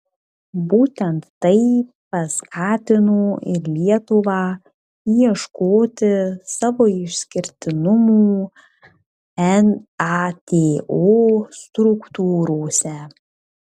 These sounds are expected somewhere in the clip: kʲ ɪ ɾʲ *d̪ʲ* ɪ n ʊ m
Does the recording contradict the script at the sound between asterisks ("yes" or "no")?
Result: yes